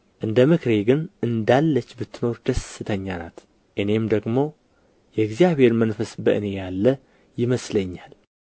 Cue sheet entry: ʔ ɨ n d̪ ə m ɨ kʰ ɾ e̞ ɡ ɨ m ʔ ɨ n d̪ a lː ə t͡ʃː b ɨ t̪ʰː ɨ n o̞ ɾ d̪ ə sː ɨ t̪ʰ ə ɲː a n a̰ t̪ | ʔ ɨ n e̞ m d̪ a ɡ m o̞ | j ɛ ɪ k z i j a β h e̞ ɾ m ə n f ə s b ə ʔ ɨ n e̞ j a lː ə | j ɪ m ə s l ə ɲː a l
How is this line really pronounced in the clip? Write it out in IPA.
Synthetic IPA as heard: ʔ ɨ n d̪ ə m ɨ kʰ ɾ e̞ ɡ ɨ n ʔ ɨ n d̪ a lː ə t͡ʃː b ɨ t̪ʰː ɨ n o̞ ɾ d̪ ə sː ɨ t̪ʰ ə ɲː a n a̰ t̪ | ʔ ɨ n e̞ m d̪ ə ɡ m o̞ | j ɛ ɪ ɡ z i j a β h e̞ ɾ m ə n f ə s b ə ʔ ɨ n e̞ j a lː ə | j ɪ m ə s l ə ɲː a l